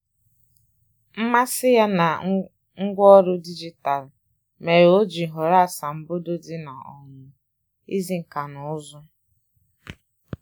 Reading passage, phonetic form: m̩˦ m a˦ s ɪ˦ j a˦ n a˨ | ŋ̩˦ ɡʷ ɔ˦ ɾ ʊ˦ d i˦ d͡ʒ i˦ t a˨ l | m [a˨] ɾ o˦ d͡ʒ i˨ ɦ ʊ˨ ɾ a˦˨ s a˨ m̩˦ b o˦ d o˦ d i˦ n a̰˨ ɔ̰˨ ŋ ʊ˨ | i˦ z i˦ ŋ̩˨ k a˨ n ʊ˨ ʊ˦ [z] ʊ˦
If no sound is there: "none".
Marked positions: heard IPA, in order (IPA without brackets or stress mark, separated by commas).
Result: e˨, z